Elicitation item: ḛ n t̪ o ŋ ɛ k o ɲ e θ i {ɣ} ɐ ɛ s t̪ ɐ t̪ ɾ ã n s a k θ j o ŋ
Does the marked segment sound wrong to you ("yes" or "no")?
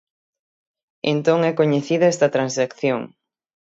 yes